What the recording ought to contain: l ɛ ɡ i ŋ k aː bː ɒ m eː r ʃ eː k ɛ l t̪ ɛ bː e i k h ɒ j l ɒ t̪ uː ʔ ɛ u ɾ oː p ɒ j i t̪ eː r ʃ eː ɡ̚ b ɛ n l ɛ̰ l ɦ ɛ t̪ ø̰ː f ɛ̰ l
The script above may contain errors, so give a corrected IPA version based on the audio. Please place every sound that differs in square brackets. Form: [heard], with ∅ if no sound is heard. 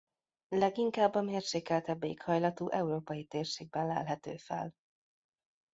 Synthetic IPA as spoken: l ɛ ɡ i ŋ k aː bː ɒ m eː r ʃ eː k ɛ l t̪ ɛ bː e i k h ɒ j l ɒ t̪ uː ʔ ɛ u ɾ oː p ɒ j i t̪ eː r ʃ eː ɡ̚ b ɛ n l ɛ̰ l ɦ ɛ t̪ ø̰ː f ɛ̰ l

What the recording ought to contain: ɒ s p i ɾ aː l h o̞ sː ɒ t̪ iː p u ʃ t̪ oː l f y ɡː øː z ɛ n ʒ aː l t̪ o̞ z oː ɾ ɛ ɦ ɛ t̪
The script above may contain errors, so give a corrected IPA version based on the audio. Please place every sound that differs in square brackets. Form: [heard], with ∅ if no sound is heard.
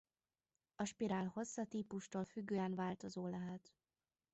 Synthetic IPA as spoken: ɒ [ʃ] p i ɾ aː l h o̞ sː ɒ t̪ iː p u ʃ t̪ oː l f y ɡː øː [∅] ɛ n [v] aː l t̪ o̞ z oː [l] ɛ ɦ ɛ t̪

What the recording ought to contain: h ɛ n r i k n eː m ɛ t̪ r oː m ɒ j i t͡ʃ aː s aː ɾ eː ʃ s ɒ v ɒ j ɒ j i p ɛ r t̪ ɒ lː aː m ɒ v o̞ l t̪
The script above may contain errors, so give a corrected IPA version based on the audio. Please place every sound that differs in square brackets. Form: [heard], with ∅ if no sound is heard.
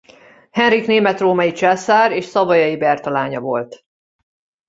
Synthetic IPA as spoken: h ɛ n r i k n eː m ɛ t̪ r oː m ɒ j i t͡ʃ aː s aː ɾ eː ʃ s ɒ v ɒ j ɒ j i [b] ɛ r t̪ ɒ [l] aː [ɲ] ɒ v o̞ l t̪

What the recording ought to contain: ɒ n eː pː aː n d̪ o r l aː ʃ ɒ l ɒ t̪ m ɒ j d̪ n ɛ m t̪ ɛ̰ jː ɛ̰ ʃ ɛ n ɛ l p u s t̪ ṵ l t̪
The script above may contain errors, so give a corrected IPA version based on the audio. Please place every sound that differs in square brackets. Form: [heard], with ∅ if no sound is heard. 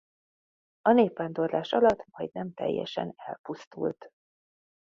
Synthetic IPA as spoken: ɒ n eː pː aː n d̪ o r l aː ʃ ɒ l ɒ t̪ m ɒ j d̪ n ɛ m t̪ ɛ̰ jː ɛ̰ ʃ ɛ n ɛ l p u s t̪ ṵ l t̪

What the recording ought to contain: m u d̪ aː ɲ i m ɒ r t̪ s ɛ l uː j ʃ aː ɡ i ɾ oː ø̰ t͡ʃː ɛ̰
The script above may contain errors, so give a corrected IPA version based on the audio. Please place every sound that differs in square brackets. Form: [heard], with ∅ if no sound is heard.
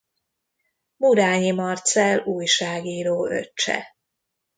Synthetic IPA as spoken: m u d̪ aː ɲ i m ɒ r t̪ s ɛ l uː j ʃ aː ɡ [iː] ɾ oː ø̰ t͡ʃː ɛ̰

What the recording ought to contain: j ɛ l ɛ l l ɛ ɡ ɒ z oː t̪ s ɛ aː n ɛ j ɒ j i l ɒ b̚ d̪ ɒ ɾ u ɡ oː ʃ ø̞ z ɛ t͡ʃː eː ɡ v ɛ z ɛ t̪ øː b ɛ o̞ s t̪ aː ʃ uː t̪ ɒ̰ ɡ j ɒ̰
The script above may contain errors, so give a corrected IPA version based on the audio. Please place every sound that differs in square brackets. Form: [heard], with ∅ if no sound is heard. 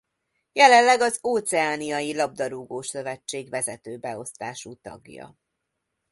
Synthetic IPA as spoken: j ɛ l ɛ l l ɛ ɡ ɒ z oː t̪ s ɛ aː n [i] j ɒ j i l ɒ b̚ d̪ ɒ ɾ u ɡ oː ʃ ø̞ [v] ɛ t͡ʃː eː ɡ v ɛ z ɛ t̪ øː b ɛ o̞ s t̪ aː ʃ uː t̪ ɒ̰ ɡ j ɒ̰

